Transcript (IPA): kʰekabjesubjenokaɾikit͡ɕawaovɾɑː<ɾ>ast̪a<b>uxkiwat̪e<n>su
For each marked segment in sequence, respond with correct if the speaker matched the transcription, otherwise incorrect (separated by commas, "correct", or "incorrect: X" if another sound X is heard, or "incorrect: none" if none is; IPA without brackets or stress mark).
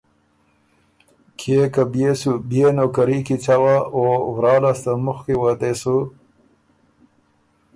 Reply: incorrect: l, incorrect: m, incorrect: none